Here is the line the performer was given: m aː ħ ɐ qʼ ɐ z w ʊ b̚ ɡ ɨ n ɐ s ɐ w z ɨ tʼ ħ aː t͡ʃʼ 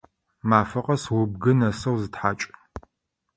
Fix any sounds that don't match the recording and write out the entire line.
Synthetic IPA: m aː f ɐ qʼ ɐ s w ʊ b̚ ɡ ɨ n ɐ s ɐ w z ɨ t ħ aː t͡ʃʼ